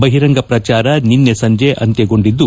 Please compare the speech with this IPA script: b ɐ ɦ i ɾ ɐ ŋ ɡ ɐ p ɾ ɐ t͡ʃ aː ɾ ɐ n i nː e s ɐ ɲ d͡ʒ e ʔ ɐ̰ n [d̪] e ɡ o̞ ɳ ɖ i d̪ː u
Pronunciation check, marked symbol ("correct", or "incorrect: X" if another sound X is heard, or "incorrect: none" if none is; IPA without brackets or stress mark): incorrect: t̪